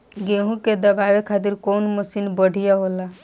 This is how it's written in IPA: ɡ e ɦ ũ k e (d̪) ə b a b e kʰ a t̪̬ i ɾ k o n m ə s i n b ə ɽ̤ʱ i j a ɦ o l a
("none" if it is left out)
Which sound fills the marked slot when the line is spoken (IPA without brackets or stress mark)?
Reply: d̪